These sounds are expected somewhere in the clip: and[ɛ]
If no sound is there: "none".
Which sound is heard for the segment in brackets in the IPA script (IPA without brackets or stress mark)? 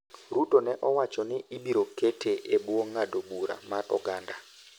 a